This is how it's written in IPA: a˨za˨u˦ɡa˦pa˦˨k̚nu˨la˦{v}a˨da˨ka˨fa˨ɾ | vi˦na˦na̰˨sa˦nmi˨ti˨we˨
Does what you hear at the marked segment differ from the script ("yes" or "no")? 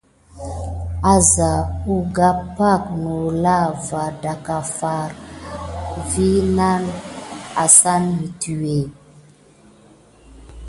no